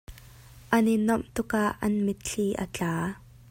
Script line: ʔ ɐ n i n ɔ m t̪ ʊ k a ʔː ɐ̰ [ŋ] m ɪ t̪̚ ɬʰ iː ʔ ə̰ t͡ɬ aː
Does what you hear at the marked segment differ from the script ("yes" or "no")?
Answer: yes